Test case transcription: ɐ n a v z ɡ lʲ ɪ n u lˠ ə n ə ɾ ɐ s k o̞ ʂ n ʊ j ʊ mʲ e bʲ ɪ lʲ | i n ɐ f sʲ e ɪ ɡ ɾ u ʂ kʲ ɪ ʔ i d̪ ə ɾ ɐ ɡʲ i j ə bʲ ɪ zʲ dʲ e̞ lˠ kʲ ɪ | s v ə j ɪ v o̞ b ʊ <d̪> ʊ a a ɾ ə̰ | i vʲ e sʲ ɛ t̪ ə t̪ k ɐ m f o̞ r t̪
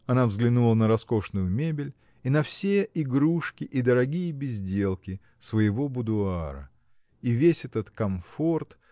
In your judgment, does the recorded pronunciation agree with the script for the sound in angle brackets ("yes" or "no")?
yes